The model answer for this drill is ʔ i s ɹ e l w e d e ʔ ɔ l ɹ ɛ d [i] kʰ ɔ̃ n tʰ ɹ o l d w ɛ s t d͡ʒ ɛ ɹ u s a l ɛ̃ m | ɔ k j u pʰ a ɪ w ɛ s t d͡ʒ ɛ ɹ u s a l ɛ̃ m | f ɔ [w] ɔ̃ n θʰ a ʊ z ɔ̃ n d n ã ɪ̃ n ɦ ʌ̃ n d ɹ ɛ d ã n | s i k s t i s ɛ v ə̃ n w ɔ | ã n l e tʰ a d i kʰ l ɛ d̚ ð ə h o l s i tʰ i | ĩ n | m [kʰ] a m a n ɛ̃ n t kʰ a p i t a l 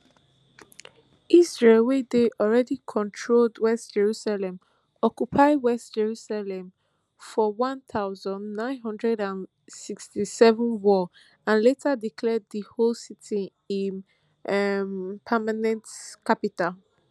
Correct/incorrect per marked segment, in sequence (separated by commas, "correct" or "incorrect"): correct, correct, incorrect